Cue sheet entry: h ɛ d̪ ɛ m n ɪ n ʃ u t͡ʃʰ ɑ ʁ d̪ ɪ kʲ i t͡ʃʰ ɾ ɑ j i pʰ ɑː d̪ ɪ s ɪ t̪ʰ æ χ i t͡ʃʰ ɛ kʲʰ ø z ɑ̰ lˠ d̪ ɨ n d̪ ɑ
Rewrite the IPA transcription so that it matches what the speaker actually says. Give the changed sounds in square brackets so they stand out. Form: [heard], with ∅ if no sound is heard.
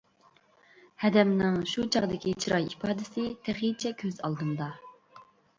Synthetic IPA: h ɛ d̪ ɛ m n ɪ [ŋ] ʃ u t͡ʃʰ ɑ ʁ d̪ ɪ kʲ i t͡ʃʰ ɾ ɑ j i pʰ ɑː d̪ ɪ s ɪ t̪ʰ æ χ i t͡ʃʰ ɛ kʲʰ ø z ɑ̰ lˠ d̪ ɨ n d̪ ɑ